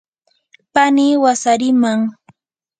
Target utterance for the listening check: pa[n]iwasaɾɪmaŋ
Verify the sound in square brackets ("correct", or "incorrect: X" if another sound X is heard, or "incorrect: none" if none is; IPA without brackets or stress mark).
correct